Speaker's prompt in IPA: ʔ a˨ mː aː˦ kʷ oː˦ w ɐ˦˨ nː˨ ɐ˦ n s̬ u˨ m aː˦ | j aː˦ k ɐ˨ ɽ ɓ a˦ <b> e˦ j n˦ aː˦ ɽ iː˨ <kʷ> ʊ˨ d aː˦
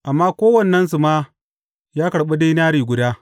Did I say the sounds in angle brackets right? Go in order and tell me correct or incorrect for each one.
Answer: incorrect, incorrect

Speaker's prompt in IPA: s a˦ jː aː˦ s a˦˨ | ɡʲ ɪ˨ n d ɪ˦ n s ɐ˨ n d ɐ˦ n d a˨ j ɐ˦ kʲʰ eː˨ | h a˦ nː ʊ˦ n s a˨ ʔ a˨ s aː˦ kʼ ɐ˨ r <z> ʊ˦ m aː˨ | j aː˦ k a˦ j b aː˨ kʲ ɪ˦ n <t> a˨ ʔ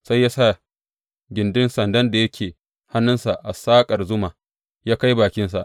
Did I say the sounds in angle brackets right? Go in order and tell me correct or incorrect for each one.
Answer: correct, incorrect

